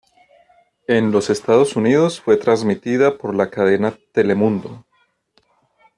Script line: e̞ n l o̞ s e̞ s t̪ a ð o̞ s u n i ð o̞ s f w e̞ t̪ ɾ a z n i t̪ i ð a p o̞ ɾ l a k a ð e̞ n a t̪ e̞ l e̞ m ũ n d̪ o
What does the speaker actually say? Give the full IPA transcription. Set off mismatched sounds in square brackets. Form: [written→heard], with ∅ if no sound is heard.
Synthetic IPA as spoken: e̞ n l o̞ s e̞ s t̪ a ð o̞ s u n i ð o̞ s f w e̞ t̪ ɾ a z [n→m] i t̪ i ð a p o̞ ɾ l a k a ð e̞ n a t̪ e̞ l e̞ m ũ n d̪ o